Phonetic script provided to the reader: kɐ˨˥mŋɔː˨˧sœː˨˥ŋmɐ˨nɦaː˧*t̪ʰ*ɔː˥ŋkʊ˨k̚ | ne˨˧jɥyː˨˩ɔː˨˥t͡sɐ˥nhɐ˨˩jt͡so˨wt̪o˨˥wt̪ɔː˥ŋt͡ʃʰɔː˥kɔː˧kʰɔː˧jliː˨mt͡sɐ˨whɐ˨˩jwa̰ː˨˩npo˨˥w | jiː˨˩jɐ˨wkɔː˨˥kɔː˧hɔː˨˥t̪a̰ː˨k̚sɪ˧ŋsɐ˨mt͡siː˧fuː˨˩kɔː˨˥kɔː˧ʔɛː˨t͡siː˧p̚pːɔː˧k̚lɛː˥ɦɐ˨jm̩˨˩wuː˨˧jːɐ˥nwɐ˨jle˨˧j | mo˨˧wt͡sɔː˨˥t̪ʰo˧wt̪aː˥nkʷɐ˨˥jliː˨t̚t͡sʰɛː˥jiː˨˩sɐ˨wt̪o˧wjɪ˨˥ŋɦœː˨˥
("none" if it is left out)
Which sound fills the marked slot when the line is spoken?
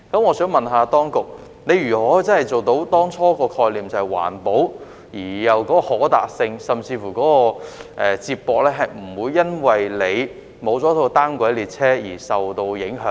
t̪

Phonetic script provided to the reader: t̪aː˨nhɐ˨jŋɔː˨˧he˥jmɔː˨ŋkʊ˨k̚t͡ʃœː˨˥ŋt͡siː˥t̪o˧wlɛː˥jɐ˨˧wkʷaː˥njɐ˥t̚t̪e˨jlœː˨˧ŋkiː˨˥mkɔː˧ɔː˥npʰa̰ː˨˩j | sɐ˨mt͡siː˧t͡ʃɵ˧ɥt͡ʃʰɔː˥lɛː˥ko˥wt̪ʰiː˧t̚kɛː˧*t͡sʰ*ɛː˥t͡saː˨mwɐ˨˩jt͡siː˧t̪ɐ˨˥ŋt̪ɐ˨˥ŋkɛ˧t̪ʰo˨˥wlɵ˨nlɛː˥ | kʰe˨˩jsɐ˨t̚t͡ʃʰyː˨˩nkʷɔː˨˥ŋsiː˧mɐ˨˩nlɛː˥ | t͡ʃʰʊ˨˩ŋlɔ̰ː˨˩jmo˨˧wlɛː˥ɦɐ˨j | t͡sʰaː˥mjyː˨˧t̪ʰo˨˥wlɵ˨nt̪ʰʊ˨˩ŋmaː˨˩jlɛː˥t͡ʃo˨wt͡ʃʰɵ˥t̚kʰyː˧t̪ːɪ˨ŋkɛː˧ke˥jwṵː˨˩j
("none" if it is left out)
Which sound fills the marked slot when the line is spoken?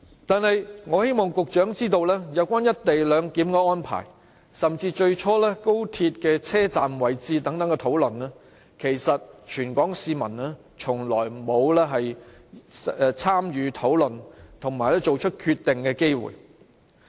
t͡sʰ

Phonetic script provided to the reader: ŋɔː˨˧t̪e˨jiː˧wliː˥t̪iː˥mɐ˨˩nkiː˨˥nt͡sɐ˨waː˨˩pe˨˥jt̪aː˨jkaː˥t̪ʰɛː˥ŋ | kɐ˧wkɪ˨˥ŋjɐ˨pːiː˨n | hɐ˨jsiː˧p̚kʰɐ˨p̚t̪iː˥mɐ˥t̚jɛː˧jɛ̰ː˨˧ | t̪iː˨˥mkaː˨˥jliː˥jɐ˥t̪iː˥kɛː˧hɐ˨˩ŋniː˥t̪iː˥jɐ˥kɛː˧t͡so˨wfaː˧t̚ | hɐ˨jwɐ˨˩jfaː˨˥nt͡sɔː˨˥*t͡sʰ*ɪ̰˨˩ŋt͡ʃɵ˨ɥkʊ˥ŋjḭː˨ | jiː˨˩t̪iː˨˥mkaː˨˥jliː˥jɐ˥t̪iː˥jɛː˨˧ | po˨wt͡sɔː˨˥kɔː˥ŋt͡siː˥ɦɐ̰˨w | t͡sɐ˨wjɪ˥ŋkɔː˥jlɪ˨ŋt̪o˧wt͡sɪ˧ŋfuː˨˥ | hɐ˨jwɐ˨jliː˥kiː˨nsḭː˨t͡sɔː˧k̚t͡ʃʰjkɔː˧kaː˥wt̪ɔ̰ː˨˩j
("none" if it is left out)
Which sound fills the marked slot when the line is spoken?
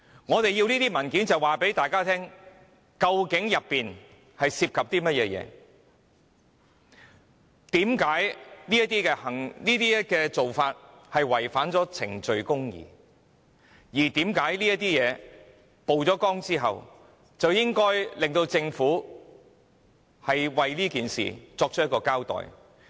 t͡sʰ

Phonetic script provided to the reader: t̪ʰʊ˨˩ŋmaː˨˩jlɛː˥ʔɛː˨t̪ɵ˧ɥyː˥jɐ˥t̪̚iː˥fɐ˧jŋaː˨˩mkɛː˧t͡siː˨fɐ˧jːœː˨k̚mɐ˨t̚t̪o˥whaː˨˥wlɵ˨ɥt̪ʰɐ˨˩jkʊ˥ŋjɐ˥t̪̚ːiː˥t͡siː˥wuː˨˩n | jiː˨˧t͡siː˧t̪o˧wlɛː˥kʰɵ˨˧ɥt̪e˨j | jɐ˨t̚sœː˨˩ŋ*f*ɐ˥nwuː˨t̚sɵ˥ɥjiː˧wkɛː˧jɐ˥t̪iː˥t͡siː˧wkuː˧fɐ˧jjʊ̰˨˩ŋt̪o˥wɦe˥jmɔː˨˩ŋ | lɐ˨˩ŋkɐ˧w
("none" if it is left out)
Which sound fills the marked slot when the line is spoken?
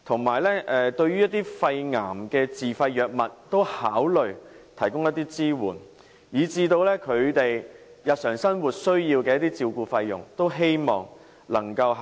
s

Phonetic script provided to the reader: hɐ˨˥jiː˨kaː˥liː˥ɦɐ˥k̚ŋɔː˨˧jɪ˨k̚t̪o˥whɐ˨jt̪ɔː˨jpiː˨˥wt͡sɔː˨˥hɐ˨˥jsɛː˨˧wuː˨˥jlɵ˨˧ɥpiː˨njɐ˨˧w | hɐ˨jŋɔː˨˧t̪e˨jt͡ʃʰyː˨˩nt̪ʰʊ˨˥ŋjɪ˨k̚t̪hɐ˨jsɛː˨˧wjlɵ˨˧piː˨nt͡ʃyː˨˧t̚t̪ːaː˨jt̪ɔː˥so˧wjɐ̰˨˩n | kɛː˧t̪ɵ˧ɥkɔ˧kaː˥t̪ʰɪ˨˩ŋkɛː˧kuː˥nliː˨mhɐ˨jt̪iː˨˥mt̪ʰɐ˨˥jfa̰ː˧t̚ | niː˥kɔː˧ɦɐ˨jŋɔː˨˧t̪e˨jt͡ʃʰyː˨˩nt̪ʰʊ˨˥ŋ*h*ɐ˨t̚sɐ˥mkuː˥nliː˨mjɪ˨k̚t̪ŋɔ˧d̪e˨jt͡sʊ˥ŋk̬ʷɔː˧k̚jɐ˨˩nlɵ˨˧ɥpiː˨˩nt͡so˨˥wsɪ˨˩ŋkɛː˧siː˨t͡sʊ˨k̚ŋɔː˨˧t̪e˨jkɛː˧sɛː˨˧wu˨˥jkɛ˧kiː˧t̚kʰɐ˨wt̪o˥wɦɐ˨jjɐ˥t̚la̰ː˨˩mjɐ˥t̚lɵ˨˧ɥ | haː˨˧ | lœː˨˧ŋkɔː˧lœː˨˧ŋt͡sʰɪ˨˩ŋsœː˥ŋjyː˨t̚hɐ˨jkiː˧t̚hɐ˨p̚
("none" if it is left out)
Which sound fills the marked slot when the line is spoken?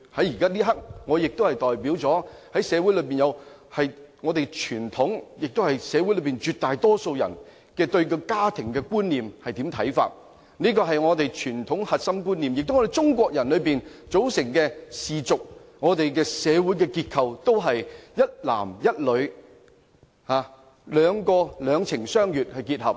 h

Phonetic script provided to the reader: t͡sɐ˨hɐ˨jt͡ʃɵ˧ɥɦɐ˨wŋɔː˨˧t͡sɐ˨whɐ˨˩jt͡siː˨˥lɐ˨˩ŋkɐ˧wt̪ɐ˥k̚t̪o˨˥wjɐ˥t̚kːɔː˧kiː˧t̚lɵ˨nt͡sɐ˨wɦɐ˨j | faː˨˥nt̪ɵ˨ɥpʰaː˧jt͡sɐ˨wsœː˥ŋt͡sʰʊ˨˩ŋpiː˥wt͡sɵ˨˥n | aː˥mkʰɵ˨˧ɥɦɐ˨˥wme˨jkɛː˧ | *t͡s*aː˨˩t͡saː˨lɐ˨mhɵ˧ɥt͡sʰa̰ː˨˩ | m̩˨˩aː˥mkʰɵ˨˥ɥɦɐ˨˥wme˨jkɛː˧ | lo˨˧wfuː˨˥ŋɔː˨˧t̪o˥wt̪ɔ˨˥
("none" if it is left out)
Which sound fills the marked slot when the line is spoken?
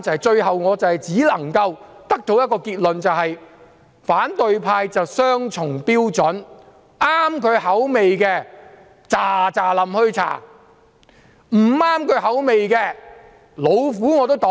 t͡s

